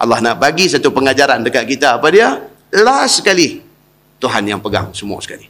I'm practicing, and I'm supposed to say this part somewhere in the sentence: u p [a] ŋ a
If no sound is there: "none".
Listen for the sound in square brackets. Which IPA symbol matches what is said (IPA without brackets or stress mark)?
ə